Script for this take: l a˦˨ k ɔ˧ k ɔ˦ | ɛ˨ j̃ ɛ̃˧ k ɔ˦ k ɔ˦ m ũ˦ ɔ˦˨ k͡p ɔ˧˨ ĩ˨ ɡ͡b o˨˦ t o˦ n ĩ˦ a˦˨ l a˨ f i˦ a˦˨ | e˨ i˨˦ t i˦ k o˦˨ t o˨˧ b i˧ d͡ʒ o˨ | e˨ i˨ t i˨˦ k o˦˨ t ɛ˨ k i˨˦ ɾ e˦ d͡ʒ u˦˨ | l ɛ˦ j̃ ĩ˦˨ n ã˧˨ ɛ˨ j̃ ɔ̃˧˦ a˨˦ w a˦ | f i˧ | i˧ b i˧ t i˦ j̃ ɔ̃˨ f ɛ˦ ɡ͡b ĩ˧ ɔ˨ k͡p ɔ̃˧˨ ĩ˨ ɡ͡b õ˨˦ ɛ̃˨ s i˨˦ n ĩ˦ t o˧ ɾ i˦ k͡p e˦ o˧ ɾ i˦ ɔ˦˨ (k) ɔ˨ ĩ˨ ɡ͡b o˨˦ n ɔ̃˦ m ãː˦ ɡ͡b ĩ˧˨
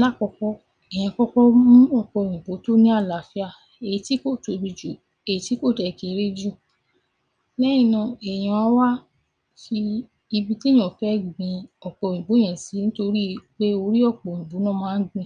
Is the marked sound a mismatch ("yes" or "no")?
yes